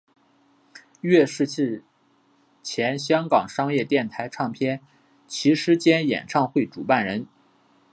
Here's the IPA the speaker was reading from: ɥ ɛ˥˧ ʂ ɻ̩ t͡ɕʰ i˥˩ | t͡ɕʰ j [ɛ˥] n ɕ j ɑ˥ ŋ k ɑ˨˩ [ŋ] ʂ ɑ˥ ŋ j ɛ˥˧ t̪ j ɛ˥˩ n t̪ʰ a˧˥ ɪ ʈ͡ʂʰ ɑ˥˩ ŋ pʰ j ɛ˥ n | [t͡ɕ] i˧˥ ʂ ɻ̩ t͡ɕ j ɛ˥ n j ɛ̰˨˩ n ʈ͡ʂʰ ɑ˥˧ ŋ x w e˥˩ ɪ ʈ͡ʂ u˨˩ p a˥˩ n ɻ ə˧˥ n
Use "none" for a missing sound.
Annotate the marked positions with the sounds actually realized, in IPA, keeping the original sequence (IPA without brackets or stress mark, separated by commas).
ɛ˧˥, ŋ, t͡ɕʰ